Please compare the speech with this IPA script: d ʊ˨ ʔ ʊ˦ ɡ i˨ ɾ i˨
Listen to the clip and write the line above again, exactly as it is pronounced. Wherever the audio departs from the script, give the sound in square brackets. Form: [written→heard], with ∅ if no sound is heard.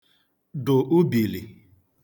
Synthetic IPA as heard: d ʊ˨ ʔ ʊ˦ [ɡ→b] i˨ [ɾ→l] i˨